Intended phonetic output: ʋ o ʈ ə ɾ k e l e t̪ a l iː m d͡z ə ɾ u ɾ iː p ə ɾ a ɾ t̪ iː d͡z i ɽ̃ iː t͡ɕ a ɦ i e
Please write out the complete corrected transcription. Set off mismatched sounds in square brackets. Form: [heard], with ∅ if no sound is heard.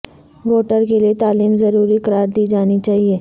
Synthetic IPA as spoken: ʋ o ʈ ə ɾ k e l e t̪ a l iː m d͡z ə ɾ u ɾ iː [k] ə ɾ a ɾ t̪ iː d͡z [a] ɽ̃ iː t͡ɕ a ɦ i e